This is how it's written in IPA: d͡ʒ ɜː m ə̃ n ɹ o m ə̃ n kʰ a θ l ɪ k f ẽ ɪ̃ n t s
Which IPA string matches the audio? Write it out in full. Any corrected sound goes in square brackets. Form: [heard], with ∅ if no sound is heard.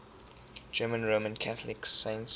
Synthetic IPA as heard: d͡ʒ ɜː m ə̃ n ɹ o m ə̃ n kʰ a θ l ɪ k [s] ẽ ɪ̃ n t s